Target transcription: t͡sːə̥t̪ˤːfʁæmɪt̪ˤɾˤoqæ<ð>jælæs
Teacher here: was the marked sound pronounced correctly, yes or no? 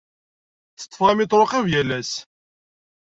no